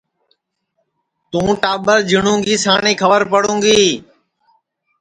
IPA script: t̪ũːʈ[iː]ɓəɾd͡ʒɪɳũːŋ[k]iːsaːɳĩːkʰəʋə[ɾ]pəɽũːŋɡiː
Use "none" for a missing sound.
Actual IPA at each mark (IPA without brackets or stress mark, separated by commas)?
aː, ɡ, ɾ